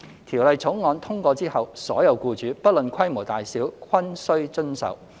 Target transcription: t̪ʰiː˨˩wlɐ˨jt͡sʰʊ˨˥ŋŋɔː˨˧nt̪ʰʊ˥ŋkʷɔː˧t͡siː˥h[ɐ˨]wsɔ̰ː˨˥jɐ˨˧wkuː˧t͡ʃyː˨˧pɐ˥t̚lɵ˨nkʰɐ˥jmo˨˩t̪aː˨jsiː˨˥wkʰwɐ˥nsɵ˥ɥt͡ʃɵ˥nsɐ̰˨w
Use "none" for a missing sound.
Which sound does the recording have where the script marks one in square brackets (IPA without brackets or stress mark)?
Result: ɐ˨